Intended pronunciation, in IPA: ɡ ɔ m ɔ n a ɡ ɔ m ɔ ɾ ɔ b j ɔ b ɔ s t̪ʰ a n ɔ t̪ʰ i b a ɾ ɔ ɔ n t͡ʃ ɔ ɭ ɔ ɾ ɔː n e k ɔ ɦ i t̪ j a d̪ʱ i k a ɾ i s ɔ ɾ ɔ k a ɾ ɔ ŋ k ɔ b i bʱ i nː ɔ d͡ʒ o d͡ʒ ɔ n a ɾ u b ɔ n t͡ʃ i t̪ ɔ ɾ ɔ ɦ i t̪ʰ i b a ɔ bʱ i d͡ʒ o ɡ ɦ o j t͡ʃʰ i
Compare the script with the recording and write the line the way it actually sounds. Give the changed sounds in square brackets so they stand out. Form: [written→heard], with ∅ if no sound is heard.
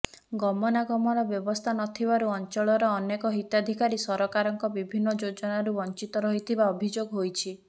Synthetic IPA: ɡ ɔ m ɔ n a ɡ ɔ m ɔ ɾ ɔ b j ɔ b ɔ s t̪ʰ a n ɔ t̪ʰ i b a ɾ [ɔ→u] ɔ n t͡ʃ ɔ ɭ ɔ ɾ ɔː n e k ɔ ɦ i t̪ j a d̪ʱ i k a ɾ i s ɔ ɾ ɔ k a ɾ ɔ ŋ k ɔ b i bʱ i nː ɔ d͡ʒ o d͡ʒ ɔ n a ɾ u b ɔ n t͡ʃ i t̪ ɔ ɾ ɔ ɦ i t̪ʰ i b a ɔ bʱ i d͡ʒ o ɡ ɦ o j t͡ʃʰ i